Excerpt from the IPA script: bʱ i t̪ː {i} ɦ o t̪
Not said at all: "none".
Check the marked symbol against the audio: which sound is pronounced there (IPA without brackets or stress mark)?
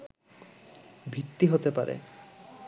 i